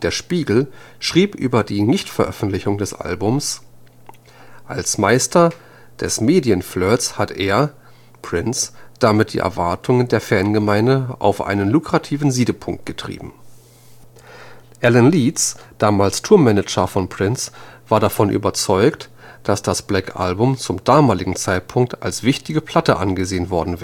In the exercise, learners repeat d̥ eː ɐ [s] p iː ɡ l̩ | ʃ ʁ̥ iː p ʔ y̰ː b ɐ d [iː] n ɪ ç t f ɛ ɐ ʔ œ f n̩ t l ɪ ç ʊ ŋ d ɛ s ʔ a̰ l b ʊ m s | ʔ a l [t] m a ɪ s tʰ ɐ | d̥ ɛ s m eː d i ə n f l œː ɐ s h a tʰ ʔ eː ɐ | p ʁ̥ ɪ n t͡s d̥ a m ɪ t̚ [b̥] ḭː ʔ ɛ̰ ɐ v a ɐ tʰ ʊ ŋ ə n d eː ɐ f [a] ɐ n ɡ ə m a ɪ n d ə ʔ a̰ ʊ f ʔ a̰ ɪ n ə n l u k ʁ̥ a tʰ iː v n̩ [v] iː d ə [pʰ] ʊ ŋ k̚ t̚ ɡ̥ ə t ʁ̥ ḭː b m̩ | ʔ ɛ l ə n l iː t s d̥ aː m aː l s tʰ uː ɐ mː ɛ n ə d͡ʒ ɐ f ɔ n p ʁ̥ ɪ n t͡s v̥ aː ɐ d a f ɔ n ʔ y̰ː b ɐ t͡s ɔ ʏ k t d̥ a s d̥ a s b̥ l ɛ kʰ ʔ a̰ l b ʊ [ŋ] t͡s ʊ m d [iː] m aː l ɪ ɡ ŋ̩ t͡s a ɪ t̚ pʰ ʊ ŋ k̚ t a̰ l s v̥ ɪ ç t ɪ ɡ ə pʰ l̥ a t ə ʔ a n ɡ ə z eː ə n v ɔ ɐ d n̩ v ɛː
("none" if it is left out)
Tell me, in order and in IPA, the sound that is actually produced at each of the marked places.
ʃ, iː, s, d̥, ɛ, z, pʰ, m, aː

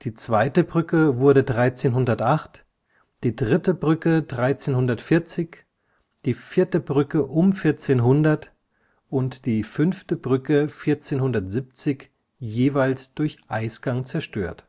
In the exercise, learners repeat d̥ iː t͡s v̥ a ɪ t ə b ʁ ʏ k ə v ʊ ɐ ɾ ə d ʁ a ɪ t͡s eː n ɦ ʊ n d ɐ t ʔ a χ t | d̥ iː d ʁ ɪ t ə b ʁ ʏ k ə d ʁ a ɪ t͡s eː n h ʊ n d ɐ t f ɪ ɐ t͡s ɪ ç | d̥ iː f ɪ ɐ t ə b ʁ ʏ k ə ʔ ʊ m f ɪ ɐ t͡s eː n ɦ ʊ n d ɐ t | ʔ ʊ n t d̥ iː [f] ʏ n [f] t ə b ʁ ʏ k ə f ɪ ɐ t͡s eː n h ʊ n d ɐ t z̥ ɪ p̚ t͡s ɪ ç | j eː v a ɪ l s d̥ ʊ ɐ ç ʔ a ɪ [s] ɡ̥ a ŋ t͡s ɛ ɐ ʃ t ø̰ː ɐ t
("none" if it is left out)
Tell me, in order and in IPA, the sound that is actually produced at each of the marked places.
f, f, s

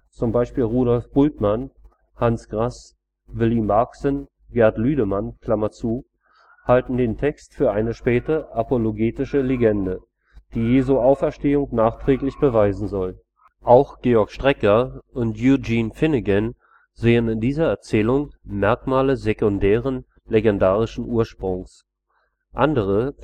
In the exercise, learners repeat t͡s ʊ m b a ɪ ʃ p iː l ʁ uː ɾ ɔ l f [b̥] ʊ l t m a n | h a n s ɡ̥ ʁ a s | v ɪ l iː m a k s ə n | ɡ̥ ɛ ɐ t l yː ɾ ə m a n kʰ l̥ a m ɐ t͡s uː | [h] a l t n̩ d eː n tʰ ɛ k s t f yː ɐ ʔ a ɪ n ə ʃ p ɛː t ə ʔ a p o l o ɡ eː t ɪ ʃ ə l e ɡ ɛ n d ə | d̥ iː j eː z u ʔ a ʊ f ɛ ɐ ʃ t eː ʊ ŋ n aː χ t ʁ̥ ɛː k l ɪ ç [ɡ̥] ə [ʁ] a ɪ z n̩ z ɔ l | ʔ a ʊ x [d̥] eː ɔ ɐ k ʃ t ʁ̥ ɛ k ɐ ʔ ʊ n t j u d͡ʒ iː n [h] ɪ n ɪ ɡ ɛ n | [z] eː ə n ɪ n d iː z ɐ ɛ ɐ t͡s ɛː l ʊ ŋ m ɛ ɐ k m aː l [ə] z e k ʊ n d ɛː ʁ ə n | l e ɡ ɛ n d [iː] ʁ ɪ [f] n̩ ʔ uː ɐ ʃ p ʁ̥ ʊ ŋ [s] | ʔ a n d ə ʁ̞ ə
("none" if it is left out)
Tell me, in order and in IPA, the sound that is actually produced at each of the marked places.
b̥, h, b̥, v, ɡ̥, f, z, ə, aː, ʃ, s

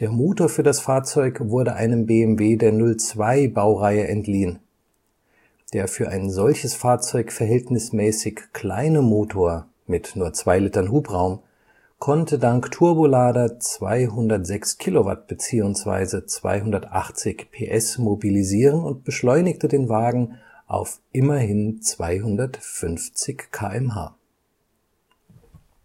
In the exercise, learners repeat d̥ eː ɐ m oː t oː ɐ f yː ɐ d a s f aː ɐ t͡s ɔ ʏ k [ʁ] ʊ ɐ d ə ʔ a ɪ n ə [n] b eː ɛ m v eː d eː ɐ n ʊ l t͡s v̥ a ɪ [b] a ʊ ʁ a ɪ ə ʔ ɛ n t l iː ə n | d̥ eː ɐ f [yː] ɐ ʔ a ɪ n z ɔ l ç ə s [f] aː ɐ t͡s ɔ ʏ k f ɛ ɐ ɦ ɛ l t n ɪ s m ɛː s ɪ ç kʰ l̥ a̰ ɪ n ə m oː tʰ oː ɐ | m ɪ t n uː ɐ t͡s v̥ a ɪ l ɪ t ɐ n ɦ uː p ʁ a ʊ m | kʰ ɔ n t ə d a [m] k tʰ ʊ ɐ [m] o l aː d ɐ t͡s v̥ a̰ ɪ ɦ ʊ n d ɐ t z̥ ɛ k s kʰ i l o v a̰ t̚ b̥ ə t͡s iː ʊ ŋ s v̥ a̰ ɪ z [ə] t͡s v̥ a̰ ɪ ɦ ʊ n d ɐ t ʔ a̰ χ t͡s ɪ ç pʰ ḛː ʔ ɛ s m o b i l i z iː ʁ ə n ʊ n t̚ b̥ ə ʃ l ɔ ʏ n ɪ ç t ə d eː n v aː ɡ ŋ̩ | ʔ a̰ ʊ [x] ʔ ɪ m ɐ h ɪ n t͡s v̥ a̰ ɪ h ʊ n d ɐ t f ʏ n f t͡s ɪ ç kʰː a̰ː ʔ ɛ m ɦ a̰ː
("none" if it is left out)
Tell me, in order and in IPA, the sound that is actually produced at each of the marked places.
v, m, b, yː, f, ŋ, b, ə, f

